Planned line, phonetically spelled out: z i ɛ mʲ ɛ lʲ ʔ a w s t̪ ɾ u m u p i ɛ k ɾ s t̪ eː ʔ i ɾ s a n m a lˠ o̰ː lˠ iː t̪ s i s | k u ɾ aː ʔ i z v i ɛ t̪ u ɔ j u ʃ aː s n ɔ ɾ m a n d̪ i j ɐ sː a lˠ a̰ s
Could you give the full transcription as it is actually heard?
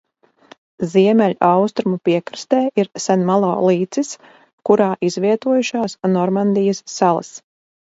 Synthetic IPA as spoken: z i ɛ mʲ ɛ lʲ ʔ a w s t̪ ɾ u m u p i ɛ k ɾ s t̪ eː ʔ i ɾ s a n m a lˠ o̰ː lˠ iː t̪ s i s | k u ɾ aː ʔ i z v i ɛ t̪ u ɔ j u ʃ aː s n ɔ ɾ m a n d̪ i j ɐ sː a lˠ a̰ s